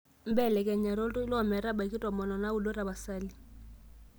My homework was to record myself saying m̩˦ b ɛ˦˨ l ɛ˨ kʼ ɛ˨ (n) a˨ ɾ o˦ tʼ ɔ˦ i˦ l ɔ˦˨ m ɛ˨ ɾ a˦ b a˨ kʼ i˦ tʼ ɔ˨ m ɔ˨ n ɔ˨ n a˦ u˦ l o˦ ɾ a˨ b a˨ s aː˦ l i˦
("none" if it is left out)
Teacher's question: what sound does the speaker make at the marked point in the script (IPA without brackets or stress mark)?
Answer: ɲ